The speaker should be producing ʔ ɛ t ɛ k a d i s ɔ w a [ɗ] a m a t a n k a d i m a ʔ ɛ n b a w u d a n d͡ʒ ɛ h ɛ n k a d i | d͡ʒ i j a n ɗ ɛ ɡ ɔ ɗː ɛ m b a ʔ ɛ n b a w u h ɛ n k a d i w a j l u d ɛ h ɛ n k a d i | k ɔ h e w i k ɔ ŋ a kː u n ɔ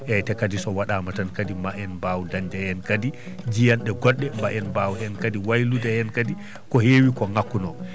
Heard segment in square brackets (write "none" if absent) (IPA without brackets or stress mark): ɗ